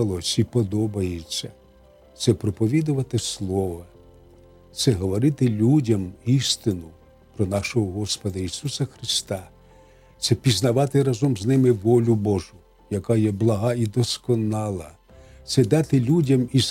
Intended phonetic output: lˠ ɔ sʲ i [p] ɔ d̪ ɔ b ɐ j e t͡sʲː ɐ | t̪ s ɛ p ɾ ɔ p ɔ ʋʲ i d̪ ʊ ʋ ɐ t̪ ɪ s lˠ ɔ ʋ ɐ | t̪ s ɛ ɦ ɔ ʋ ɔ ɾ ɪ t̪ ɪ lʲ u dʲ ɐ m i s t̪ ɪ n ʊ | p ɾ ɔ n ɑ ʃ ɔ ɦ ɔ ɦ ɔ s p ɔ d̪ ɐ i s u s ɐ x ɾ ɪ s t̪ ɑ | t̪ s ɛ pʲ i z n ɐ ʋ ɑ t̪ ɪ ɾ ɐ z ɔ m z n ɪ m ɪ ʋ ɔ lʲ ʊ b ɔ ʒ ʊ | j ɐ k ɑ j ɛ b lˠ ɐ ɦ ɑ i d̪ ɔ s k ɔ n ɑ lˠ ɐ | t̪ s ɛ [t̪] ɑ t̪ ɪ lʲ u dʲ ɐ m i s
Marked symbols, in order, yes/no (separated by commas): yes, no